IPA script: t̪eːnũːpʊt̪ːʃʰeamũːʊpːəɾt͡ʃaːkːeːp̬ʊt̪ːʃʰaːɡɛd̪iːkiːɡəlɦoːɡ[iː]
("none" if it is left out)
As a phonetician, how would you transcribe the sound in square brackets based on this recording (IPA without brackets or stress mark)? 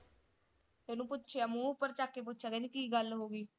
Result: iː